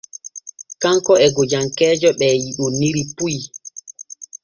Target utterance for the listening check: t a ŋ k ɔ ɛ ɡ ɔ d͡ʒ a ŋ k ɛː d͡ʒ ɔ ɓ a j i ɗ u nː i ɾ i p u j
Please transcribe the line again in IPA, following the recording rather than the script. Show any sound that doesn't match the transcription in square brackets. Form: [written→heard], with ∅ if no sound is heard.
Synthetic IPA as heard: [t→k] a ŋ k ɔ ɛ ɡ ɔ d͡ʒ a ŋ k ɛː d͡ʒ ɔ ɓ [a→ɛ] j i ɗ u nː i ɾ i p u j